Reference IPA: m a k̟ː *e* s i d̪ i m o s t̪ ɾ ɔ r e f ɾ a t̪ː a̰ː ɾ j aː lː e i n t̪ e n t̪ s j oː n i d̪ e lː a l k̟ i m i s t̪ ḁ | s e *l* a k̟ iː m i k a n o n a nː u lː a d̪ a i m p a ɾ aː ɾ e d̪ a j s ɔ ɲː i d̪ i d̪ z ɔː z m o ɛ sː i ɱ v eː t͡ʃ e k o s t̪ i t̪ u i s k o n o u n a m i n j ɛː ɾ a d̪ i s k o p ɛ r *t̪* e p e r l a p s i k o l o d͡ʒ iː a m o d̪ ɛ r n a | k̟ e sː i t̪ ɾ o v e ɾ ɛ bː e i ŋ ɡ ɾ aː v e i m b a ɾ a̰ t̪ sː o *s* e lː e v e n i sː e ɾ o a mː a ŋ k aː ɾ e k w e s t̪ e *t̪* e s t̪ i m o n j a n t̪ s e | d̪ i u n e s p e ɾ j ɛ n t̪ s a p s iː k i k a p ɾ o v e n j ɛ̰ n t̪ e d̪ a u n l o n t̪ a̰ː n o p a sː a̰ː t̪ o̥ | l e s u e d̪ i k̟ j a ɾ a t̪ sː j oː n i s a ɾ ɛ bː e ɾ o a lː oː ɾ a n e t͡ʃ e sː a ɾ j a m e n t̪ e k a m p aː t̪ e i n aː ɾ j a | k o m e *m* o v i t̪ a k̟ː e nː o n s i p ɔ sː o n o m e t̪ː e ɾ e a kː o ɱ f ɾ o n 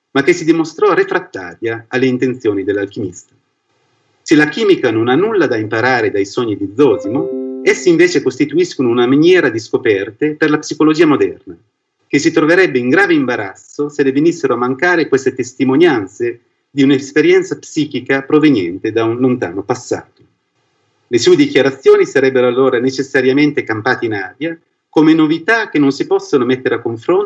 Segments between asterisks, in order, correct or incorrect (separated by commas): correct, correct, correct, correct, correct, incorrect